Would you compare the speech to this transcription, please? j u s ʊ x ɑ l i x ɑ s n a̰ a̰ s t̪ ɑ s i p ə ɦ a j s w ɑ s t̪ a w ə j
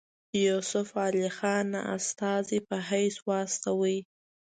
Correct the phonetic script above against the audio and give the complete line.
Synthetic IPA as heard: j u s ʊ f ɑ l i x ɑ n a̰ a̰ s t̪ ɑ z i p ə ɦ a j s w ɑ s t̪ a w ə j